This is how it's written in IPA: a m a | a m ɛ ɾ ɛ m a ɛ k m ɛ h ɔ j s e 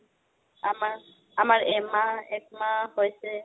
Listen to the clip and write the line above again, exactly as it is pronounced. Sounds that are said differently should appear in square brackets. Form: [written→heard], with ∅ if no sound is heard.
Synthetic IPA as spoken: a m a | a m [ɛ→a] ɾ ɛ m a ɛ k m [ɛ→a] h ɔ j s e